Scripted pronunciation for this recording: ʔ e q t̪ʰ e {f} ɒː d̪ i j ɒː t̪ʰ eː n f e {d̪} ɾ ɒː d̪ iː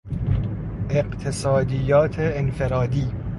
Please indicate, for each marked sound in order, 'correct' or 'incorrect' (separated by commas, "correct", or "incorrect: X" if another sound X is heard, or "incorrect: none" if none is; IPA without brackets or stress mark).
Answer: incorrect: s, incorrect: none